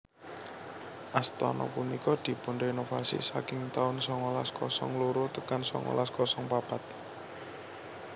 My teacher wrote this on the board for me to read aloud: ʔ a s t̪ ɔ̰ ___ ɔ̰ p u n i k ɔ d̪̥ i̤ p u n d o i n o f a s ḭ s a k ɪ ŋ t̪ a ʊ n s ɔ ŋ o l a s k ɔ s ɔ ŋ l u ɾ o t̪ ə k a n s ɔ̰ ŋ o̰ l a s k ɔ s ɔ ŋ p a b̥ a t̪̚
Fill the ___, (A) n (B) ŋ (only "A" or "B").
A